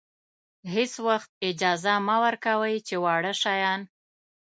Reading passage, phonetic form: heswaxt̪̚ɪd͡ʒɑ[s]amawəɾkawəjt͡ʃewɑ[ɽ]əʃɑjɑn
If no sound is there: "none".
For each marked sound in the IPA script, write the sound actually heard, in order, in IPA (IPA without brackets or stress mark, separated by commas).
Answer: z, ɽ